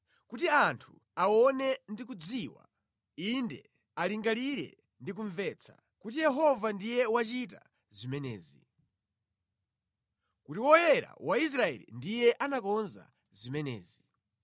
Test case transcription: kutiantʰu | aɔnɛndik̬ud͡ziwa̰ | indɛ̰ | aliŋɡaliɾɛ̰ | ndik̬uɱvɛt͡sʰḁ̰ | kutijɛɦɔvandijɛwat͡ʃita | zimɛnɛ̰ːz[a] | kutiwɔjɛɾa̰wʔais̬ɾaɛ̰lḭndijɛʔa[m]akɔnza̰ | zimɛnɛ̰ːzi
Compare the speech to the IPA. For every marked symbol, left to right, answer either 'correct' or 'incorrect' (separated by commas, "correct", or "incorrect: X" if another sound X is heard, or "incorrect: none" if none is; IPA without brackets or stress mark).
incorrect: i, incorrect: n